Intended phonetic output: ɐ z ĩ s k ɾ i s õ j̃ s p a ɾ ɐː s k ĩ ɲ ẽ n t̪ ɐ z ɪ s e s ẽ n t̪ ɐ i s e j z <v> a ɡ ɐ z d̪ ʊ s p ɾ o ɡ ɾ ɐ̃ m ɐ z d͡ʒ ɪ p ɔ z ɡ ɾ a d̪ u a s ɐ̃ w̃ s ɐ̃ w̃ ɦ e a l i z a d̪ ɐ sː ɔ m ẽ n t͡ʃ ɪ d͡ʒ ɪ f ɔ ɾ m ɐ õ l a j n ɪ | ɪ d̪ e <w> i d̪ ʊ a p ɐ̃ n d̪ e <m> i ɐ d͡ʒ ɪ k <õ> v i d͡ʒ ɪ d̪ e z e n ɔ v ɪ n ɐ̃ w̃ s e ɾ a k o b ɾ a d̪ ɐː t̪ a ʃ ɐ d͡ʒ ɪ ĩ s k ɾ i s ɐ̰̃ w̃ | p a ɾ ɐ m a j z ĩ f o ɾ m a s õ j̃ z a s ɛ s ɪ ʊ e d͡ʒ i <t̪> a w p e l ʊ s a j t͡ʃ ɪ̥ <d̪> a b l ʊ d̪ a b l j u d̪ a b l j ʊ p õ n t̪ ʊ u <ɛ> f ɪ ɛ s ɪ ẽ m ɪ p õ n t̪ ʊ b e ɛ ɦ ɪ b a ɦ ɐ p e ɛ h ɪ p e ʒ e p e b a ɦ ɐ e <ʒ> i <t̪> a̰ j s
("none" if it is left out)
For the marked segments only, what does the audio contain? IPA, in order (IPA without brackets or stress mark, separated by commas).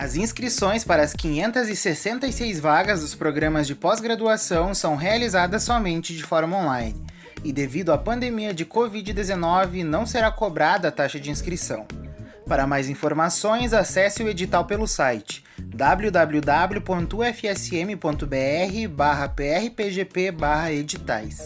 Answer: v, v, m, o, t̪, d̪, ɛ, d͡ʒ, t̪